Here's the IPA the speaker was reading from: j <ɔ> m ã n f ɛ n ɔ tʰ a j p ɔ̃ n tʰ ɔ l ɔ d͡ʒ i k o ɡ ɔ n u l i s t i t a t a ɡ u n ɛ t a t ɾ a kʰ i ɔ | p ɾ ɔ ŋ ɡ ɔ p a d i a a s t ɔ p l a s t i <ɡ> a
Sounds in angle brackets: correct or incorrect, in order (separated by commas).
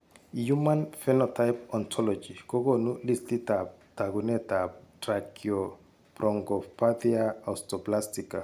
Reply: incorrect, incorrect